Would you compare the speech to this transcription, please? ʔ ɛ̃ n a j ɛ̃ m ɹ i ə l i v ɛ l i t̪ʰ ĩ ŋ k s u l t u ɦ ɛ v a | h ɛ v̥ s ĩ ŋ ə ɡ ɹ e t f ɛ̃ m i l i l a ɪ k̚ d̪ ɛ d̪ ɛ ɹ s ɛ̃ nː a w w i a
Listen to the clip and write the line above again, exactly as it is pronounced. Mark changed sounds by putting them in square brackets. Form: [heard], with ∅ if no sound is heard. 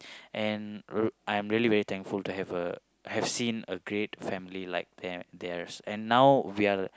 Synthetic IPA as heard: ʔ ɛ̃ n a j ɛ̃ m ɹ i ə l i v ɛ [ɹ] i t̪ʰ [ɛ̃] ŋ k [f] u l t u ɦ ɛ v [ə] | h ɛ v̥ s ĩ [n] ə ɡ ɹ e t f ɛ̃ m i l i l a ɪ k̚ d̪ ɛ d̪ ɛ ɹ s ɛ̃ nː a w w i a